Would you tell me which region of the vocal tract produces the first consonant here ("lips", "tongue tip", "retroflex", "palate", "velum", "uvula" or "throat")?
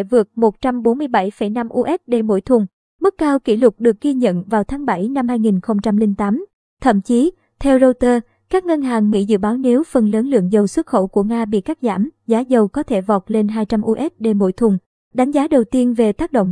lips